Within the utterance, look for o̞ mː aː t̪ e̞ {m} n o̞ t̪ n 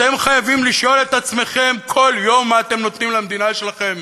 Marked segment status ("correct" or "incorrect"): correct